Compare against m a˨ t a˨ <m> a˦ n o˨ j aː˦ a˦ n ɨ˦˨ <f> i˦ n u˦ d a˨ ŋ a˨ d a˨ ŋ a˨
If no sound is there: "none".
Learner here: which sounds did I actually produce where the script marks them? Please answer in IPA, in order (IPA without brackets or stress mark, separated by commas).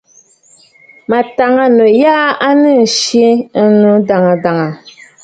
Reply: ŋ, ʃ